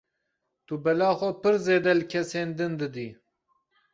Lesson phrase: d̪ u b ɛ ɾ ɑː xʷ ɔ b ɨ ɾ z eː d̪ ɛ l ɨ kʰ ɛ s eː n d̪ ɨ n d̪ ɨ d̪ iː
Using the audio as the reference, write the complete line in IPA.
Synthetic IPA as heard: t̪ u b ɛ l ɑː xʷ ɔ p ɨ ɾ z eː d̪ ɛ l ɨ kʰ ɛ s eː n d̪ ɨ n d̪ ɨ d̪ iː